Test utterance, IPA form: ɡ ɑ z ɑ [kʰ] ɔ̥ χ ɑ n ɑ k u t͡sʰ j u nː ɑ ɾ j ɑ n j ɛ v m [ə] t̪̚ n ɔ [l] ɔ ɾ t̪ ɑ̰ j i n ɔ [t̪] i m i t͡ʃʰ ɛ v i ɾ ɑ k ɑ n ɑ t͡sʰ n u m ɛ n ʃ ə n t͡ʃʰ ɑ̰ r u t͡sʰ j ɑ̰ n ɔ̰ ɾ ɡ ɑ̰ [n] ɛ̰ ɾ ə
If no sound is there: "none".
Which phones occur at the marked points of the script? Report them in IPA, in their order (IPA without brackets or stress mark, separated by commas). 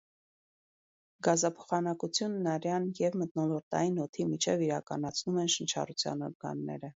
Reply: pʰ, ə, l, t̪ʰ, nː